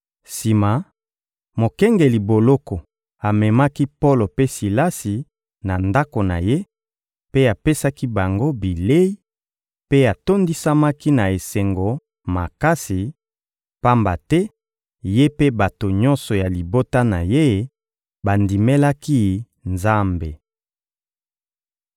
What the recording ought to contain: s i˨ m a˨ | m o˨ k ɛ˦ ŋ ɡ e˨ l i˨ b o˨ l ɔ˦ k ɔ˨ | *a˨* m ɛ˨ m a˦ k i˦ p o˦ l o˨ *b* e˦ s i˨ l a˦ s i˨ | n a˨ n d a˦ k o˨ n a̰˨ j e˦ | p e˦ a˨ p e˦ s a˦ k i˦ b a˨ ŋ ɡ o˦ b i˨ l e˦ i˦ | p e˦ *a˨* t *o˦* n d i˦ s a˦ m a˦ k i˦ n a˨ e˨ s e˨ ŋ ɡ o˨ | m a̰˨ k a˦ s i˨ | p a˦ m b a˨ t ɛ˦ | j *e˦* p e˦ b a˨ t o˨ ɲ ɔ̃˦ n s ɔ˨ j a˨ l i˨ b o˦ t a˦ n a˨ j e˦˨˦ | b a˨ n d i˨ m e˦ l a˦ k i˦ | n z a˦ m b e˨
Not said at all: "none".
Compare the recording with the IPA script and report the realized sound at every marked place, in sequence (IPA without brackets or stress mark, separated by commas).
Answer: a˨, p, a˨, o˦, e˦